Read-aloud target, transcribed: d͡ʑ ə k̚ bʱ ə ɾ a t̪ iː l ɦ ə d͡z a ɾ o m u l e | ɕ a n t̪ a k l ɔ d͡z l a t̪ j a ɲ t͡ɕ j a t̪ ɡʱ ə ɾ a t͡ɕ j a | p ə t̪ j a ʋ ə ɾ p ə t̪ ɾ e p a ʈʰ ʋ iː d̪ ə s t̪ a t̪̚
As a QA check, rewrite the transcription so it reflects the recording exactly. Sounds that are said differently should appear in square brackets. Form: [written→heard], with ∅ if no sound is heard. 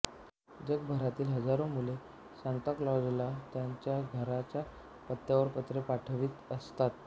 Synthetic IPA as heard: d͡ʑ ə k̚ bʱ ə ɾ a t̪ iː l ɦ ə d͡z a ɾ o m u l e | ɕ a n t̪ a k l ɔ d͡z l a t̪ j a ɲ t͡ɕ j a [t̪→∅] ɡʱ ə ɾ a t͡ɕ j a | p ə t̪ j a ʋ ə ɾ p ə t̪ ɾ e p a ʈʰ ʋ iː [d̪→t̪] ə s t̪ a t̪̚